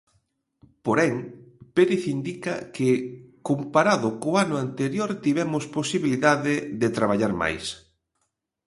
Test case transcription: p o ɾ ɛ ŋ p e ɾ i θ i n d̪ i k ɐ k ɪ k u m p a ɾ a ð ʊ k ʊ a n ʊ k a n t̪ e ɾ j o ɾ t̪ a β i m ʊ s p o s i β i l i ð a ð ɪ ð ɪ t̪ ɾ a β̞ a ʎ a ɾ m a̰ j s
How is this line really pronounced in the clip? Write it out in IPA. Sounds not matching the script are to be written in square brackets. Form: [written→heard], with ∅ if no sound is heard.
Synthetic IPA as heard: p o ɾ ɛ ŋ p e ɾ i θ i n d̪ i k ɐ k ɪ k [u→o] m p a ɾ a ð ʊ k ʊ a n ʊ [k→∅] a n t̪ e ɾ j o ɾ t̪ [a→i] β [i→ɛ] m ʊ s p o s i β i l i ð a ð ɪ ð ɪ t̪ ɾ a β̞ a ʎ a ɾ m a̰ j s